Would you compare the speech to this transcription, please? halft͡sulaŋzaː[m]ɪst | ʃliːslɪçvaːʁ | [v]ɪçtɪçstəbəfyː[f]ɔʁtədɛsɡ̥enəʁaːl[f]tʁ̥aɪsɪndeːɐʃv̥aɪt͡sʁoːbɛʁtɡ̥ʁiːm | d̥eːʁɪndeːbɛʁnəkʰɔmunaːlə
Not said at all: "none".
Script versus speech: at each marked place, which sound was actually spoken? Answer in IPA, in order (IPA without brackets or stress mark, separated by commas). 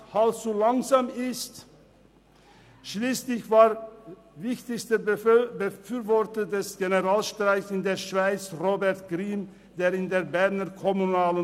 m, v, v, ʃ